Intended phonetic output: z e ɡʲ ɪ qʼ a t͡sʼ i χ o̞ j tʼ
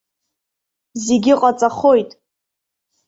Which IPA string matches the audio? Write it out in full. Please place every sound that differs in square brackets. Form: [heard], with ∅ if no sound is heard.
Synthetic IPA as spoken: z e ɡʲ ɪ qʼ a t͡sʼ [a] χ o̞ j tʼ